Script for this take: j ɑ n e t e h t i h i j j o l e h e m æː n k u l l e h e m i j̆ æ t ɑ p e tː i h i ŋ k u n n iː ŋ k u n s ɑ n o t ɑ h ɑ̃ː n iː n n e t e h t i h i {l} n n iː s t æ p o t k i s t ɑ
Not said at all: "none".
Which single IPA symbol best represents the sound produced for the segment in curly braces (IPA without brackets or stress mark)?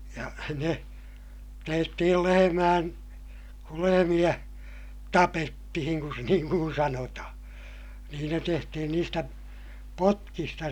none